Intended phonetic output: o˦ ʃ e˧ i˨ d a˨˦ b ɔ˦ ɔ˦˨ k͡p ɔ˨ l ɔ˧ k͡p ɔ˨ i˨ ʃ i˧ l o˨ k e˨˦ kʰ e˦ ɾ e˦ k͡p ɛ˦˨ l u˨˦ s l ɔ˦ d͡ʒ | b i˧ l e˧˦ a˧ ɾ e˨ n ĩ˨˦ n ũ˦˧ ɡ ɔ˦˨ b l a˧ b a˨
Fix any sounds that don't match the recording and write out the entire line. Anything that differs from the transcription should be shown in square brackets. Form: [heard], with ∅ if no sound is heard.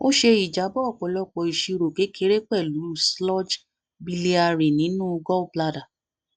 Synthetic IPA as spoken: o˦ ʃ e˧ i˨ [d͡ʒ] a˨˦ b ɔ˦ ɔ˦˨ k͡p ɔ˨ l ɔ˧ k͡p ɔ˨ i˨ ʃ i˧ [ɾ] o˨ k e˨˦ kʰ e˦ ɾ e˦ k͡p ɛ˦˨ l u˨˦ s l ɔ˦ d͡ʒ | b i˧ l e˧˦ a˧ ɾ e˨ n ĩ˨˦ n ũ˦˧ ɡ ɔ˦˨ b l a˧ [d] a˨